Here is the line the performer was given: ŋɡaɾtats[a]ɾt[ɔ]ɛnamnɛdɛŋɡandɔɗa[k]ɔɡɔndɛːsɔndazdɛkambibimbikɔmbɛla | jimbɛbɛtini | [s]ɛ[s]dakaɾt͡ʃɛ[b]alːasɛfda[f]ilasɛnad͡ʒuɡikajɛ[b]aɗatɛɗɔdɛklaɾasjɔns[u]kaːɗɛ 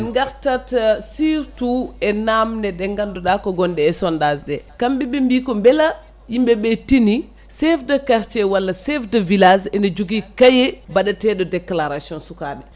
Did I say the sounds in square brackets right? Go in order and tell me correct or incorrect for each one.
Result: incorrect, incorrect, correct, correct, incorrect, incorrect, incorrect, correct, correct

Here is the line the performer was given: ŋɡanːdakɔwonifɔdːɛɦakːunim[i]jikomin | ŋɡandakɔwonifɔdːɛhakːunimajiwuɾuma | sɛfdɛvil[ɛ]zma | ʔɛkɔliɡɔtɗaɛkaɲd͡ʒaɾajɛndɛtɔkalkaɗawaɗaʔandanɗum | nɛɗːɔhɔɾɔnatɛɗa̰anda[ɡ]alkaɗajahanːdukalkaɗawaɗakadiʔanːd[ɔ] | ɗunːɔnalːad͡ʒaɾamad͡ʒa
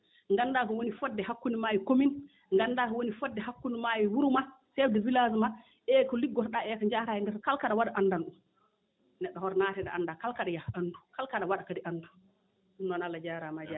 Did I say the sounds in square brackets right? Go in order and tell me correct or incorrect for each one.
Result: incorrect, incorrect, incorrect, incorrect

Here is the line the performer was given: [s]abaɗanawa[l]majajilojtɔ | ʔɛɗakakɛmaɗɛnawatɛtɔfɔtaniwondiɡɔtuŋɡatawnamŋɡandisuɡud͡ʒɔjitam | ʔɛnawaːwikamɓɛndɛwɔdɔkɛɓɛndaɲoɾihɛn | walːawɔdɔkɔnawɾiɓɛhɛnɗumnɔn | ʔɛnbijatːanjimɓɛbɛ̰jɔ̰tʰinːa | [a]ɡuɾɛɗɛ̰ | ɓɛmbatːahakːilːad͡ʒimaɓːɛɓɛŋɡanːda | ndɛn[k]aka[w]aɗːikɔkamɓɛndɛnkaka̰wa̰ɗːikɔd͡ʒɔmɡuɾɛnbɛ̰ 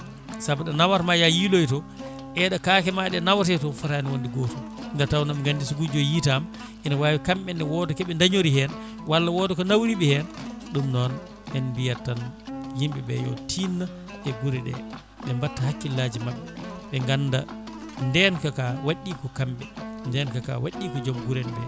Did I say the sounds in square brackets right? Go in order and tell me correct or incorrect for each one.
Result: correct, incorrect, incorrect, correct, correct

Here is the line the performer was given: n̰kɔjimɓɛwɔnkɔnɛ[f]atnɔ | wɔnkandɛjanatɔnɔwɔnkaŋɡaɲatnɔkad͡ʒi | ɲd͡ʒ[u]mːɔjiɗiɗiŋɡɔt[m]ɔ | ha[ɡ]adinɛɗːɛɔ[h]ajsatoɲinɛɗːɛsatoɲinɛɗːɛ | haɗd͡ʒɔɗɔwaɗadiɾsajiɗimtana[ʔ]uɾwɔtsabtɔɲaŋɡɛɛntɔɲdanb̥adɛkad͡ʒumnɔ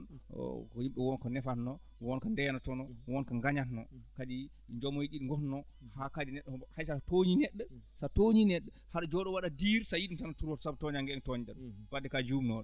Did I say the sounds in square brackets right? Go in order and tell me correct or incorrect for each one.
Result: correct, incorrect, incorrect, incorrect, correct, incorrect

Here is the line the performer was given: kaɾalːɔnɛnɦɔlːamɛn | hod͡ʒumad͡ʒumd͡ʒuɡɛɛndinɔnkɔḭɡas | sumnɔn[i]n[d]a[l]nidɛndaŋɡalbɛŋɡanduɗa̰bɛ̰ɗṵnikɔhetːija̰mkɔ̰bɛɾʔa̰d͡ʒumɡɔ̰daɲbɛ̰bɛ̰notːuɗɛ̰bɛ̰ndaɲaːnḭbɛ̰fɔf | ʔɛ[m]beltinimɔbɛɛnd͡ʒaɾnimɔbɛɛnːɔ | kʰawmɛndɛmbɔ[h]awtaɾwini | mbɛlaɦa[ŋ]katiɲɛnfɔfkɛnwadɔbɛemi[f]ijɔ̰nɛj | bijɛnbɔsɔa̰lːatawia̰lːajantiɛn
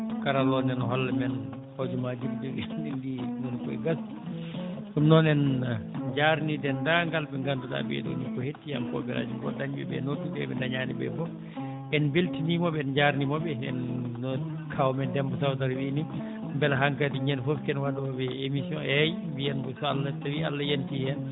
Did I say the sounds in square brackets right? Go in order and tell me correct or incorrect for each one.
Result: incorrect, incorrect, incorrect, incorrect, incorrect, correct, incorrect

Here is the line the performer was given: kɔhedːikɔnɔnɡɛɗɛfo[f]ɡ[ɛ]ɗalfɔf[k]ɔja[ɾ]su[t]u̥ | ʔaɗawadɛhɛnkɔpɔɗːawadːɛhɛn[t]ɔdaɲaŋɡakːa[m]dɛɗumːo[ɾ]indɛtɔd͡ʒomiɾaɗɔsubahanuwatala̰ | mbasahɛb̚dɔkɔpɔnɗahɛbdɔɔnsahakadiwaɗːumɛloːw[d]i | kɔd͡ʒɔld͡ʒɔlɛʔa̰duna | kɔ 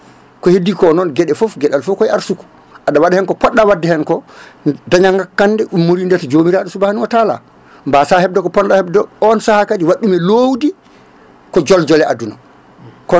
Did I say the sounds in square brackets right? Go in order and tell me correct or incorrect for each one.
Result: correct, correct, correct, correct, incorrect, incorrect, incorrect, correct, correct

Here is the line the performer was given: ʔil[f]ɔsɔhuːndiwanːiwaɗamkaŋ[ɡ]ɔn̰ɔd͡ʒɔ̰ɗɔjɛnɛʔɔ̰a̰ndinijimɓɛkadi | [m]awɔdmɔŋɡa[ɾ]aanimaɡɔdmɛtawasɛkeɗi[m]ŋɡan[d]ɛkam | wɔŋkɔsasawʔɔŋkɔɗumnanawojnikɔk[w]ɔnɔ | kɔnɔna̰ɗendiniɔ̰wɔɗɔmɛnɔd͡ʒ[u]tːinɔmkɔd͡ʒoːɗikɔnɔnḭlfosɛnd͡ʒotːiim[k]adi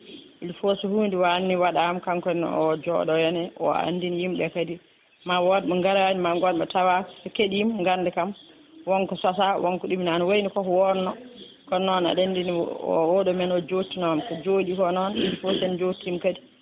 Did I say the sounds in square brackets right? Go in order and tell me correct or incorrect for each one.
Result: correct, incorrect, correct, correct, correct, correct, correct, incorrect, correct

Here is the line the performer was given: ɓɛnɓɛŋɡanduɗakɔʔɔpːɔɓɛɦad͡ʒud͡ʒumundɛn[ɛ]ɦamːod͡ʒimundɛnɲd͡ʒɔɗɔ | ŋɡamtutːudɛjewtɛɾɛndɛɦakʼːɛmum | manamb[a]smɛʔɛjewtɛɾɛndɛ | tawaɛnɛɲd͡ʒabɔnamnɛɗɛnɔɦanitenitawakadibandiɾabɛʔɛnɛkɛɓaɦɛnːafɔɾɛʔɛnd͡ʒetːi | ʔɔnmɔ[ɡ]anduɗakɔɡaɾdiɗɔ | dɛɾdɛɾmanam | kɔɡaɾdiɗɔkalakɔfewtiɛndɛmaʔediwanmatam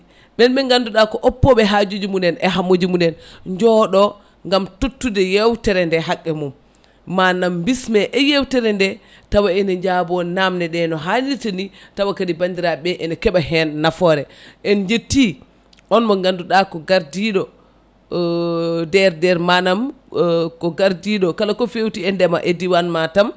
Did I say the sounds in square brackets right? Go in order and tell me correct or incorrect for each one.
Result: correct, incorrect, correct

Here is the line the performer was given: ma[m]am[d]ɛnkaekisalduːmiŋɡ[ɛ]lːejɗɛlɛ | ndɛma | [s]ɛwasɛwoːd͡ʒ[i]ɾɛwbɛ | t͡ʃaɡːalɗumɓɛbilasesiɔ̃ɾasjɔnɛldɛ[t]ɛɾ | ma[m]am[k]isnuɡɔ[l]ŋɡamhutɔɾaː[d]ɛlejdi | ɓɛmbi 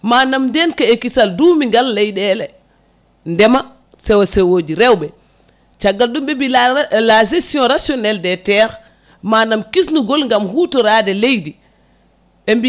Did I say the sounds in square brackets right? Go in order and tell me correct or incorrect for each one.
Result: incorrect, correct, incorrect, correct, correct, correct, incorrect, correct, correct, correct

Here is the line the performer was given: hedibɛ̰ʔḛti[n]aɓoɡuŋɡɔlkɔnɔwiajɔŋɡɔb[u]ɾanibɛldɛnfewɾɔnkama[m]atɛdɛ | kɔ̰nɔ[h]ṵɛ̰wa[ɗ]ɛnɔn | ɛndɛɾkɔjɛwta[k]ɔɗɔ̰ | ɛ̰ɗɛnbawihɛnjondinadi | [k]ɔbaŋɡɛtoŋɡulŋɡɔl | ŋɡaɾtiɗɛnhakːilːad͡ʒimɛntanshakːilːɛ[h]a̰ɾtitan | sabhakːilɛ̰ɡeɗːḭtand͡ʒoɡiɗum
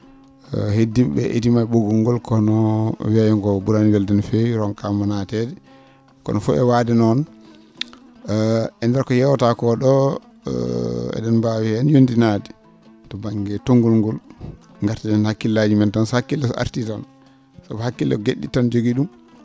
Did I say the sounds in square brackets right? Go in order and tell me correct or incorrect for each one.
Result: incorrect, correct, incorrect, incorrect, incorrect, correct, incorrect, incorrect

